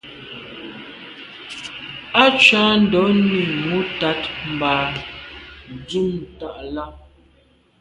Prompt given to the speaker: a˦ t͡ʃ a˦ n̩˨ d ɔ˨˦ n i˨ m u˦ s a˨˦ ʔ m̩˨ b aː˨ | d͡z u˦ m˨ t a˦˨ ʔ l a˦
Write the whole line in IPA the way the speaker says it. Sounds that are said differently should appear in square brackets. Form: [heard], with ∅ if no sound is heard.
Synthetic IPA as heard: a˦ t͡ʃ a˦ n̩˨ d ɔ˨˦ n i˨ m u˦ [t] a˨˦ [t] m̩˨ b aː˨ | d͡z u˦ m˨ t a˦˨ ʔ l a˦